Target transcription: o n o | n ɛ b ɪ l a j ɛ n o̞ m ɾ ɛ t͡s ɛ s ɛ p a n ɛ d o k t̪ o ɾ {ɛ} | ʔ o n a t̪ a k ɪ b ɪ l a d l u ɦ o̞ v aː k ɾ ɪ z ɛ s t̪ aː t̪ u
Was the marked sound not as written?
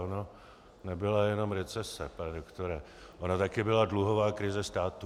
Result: no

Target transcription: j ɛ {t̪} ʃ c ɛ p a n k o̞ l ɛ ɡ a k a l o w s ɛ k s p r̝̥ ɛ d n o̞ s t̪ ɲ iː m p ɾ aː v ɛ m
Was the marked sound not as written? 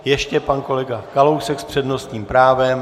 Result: yes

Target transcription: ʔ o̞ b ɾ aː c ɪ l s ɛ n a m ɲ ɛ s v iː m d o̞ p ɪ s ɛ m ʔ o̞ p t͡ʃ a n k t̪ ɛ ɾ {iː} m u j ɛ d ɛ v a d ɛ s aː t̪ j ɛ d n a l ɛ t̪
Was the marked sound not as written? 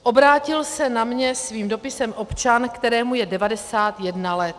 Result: yes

